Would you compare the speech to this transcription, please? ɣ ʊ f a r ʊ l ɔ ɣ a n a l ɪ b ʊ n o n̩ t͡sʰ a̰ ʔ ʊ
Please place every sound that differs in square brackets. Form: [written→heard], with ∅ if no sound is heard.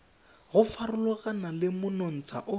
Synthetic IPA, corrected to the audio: ɣ ʊ f a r ʊ l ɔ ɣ a n a l ɪ [b→m] ʊ n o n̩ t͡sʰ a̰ ʔ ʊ